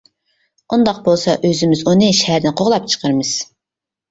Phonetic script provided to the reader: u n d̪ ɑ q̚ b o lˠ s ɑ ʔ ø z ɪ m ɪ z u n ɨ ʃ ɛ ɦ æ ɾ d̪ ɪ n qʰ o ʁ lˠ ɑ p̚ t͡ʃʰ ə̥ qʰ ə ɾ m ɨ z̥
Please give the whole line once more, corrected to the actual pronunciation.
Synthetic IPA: u n d̪ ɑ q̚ b o lˠ s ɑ ʔ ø z ɪ m ɪ z u n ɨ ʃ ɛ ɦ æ ɾ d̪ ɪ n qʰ o ʁ lˠ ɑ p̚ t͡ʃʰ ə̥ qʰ ə ɾ m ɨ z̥